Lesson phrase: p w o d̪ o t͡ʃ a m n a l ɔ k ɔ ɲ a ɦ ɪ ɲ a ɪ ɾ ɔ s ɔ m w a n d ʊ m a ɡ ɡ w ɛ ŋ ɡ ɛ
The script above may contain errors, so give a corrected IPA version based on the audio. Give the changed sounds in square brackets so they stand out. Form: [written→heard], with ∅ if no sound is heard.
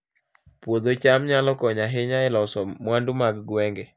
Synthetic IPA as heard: p w o d̪ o t͡ʃ a m [n→ɲ] a l ɔ k ɔ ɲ a ɦ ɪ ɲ a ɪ [ɾ→l] ɔ s ɔ m w a n d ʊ m a ɡ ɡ w ɛ ŋ ɡ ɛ